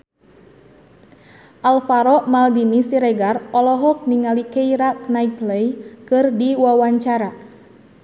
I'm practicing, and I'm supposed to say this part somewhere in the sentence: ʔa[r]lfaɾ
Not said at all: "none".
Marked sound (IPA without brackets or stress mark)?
none